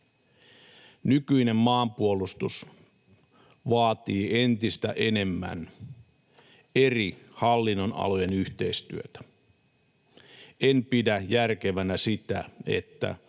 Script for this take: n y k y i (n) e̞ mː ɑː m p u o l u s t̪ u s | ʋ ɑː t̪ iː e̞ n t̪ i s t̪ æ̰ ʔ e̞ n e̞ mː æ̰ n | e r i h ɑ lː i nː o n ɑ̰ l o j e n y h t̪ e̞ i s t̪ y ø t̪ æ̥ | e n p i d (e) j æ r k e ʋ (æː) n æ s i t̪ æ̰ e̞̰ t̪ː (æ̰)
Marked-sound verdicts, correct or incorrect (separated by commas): correct, incorrect, incorrect, correct